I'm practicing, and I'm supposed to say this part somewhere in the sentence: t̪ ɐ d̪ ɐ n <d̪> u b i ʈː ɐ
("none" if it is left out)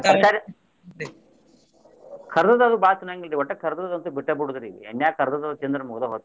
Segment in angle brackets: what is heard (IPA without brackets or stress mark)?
t̪